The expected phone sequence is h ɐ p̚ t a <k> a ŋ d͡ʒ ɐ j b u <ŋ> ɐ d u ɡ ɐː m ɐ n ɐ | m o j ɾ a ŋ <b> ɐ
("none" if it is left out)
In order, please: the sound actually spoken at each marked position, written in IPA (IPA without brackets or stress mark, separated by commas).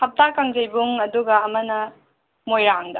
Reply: k, ŋ, d